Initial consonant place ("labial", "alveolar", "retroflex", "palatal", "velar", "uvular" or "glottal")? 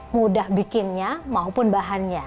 labial